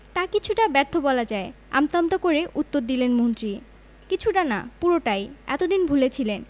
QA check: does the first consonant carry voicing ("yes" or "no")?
no